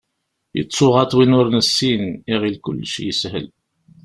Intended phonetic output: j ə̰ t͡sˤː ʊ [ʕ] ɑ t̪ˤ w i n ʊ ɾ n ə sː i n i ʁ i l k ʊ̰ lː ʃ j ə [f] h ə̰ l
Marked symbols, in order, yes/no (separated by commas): no, no